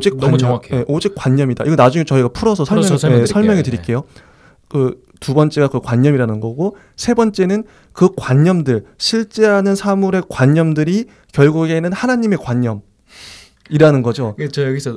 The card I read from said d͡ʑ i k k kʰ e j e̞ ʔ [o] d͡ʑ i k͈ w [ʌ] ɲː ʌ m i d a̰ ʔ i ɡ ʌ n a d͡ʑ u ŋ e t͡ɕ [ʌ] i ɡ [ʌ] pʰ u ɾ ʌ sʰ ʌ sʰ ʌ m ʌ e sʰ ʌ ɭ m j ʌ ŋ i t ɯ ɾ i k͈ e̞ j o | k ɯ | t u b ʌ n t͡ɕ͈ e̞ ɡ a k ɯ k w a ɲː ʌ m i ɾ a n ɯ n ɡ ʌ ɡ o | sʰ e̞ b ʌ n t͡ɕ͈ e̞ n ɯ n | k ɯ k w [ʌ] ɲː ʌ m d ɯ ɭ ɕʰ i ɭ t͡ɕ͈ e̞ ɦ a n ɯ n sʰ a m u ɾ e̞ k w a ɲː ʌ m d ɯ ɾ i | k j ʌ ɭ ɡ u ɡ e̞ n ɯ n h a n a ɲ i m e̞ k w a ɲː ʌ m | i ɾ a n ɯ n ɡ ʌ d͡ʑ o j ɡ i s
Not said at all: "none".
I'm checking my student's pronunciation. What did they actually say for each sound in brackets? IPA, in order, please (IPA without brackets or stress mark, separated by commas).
o, a, ʌ, a, a